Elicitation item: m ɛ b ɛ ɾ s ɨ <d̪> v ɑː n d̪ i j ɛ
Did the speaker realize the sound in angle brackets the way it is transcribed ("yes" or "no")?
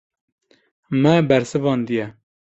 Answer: no